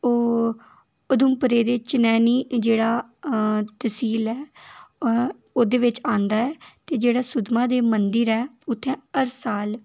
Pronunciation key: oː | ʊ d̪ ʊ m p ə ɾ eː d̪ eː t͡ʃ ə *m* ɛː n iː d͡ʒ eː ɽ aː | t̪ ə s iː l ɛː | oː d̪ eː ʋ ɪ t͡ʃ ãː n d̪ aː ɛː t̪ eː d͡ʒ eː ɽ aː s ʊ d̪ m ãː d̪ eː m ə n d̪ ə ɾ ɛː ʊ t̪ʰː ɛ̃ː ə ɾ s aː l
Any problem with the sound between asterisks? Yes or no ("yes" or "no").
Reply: yes